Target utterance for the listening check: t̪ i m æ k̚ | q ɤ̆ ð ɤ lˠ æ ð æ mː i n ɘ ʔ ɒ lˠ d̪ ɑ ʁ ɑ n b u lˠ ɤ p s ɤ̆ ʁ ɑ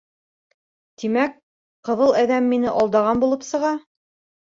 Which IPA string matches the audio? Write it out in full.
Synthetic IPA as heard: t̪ i m æ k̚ | q ɤ̆ ð ɤ lˠ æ ð æ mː i n ɘ ʔ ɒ lˠ d̪ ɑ ʁ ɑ n b u lˠ ɤ p s ɤ̆ ʁ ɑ